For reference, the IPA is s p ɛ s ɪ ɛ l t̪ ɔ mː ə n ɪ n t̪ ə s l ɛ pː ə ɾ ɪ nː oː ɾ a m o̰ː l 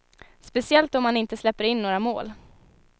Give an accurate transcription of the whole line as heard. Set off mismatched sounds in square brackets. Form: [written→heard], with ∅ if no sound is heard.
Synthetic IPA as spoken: s p ɛ s ɪ ɛ l t̪ ɔ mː [ə→a] n ɪ n t̪ ə s l ɛ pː ə ɾ ɪ nː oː ɾ a m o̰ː l

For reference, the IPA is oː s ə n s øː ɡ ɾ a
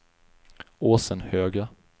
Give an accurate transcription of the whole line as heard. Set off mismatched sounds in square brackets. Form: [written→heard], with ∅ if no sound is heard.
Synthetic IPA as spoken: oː s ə n [s→h] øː ɡ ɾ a

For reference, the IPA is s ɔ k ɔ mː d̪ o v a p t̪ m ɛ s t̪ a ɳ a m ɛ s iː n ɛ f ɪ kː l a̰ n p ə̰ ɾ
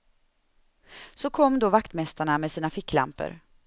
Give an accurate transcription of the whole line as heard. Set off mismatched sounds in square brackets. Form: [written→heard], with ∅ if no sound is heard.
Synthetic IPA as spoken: s ɔ [k→kʰ] ɔ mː d̪ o v a [p→k] t̪ m ɛ s t̪ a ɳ a m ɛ s iː n [ɛ→a] f ɪ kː l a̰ [n→m] p ə̰ ɾ

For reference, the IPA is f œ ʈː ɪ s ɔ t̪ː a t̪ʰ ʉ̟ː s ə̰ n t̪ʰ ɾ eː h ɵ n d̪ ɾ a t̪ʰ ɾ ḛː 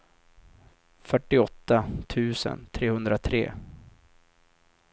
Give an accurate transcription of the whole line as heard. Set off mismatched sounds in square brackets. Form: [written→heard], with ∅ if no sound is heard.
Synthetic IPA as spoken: f œ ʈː ɪ [s→∅] ɔ t̪ː a t̪ʰ ʉ̟ː s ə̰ n t̪ʰ ɾ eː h ɵ n d̪ ɾ a t̪ʰ ɾ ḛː

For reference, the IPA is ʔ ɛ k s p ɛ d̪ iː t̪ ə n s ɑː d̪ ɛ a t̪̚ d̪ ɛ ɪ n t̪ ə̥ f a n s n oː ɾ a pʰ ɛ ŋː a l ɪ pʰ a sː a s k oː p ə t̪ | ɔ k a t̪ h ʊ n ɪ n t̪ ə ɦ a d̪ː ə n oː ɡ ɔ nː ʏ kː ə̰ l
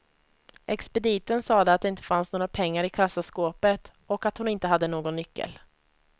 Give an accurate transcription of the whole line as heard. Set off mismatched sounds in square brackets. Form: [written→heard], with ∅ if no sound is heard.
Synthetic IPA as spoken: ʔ ɛ k s p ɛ d̪ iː t̪ ə n s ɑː d̪ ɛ a t̪̚ d̪ ɛ ɪ n t̪ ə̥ f a n s n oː ɾ a pʰ ɛ ŋː a [l→ɾ] ɪ [pʰ→kʰ] a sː a s k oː p ə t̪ | ɔ k a t̪ h ʊ n ɪ n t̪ ə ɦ a d̪ː ə n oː ɡ ɔ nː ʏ kː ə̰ l

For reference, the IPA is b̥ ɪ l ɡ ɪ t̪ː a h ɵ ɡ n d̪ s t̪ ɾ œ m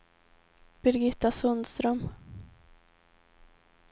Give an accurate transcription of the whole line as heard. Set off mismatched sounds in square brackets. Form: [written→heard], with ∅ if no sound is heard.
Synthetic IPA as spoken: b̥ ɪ [l→ɾ] ɡ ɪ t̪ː a [h→s] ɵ [ɡ→∅] n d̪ s t̪ ɾ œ m

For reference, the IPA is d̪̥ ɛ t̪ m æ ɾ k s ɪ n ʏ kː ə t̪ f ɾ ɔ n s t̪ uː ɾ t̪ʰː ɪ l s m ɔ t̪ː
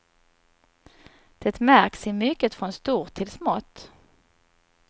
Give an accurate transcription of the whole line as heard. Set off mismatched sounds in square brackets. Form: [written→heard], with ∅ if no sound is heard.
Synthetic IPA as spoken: d̪̥ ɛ t̪ m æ ɾ k s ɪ [n→m] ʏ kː ə t̪ f ɾ ɔ n s t̪ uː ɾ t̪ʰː ɪ l s m ɔ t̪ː

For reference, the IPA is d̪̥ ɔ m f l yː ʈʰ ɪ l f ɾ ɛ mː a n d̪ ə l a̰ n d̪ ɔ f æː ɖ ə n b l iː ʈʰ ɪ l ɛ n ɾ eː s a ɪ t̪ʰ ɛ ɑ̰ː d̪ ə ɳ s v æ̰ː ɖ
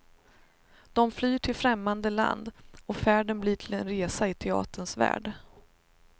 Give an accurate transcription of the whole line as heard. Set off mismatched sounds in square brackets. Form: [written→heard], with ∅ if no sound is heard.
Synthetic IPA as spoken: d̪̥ ɔ m f l yː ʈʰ ɪ l f ɾ ɛ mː a n d̪ ə l a̰ n d̪ ɔ f æː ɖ ə n b l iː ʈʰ ɪ l ɛ n ɾ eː s a ɪ t̪ʰ ɛ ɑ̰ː [d̪→t̪] ə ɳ s v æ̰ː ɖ

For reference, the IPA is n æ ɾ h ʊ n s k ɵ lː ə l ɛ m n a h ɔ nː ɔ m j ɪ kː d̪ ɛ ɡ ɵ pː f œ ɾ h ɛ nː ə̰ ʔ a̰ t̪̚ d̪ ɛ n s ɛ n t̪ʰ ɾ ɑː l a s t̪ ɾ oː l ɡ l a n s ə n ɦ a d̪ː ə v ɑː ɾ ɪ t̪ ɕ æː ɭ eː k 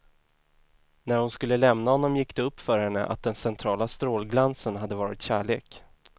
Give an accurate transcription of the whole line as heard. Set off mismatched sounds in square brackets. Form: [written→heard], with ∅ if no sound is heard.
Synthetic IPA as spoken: n æ ɾ h ʊ n s k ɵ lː ə l ɛ m n a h ɔ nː ɔ m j ɪ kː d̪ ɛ [ɡ→∅] ɵ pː f œ ɾ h ɛ nː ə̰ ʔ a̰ t̪̚ d̪ ɛ n s ɛ n t̪ʰ ɾ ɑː l a s t̪ ɾ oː l ɡ l a n s ə n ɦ a d̪ː ə v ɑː ɾ ɪ t̪ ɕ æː ɭ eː k

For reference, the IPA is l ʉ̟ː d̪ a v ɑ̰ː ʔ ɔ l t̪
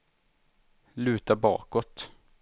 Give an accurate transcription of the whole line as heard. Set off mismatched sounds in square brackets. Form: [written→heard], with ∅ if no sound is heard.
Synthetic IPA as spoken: l ʉ̟ː [d̪→t̪] a [v→b] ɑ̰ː [ʔ→k] ɔ [l→∅] t̪

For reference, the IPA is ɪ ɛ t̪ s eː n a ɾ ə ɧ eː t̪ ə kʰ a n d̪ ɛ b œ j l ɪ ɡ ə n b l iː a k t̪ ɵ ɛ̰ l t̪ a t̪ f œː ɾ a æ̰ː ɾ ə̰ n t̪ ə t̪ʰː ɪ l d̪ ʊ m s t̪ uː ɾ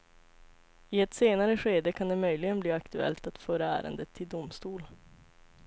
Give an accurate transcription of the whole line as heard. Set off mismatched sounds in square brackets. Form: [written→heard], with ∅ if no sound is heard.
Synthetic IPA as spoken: ɪ ɛ t̪ s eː n a ɾ ə ɧ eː [t̪→d̪] ə kʰ a n d̪ ɛ [b→m] œ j l ɪ ɡ ə n b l iː a k t̪ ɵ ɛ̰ l t̪ a t̪ f œː ɾ a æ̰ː ɾ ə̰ n [t̪→d̪] ə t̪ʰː ɪ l d̪ ʊ m s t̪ uː [ɾ→l]

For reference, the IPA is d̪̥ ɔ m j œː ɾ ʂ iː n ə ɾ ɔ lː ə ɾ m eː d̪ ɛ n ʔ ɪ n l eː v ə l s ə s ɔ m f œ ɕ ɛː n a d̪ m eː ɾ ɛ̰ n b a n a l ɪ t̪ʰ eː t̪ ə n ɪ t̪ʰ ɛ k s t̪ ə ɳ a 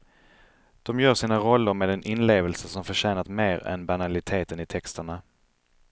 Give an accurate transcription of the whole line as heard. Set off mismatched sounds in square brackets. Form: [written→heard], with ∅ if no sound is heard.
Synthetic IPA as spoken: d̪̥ ɔ m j œː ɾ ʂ iː n [ə→a] ɾ ɔ lː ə ɾ m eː d̪ ɛ n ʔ ɪ n l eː v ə l s ə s ɔ m f œ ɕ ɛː n a [d̪→t̪] m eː ɾ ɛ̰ n b a n a l ɪ t̪ʰ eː t̪ ə n ɪ t̪ʰ ɛ k s t̪ ə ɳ a

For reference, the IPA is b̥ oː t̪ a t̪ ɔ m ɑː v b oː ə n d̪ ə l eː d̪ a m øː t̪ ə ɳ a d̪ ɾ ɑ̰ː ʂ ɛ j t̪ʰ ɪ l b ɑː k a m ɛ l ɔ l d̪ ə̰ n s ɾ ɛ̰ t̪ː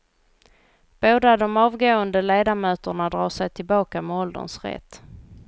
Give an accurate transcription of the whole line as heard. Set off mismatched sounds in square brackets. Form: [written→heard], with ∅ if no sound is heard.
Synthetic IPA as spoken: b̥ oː [t̪→d̪] a [t̪→d̪] ɔ m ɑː v [b→ɡ] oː ə n d̪ ə l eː d̪ a m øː t̪ ə ɳ a d̪ ɾ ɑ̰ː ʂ ɛ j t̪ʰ ɪ l b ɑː k a m ɛ [l→∅] ɔ l d̪ ə̰ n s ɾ ɛ̰ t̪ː

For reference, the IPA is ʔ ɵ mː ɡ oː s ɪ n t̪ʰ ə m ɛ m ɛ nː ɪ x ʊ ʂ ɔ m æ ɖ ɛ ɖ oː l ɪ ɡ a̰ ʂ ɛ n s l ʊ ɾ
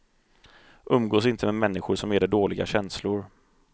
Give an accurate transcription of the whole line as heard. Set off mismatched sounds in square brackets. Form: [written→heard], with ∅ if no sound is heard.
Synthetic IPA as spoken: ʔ ɵ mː ɡ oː s ɪ n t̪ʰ ə m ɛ m ɛ nː ɪ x ʊ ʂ ɔ m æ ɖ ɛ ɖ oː l ɪ ɡ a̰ [ʂ→ɕ] ɛ n s l ʊ ɾ

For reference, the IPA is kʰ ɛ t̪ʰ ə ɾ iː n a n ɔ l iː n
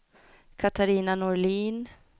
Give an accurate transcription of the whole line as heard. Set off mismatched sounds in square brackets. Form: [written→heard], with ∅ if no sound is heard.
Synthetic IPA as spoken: kʰ [ɛ→a] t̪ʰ [ə→a] ɾ iː n a n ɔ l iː n

